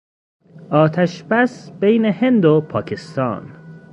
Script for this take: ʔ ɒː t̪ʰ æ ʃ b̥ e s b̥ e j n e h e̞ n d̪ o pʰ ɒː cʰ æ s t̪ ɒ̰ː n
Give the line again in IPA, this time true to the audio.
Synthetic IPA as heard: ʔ ɒː t̪ʰ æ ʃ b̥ æ s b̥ e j n e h e̞ n d̪ o pʰ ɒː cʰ e s t̪ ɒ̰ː n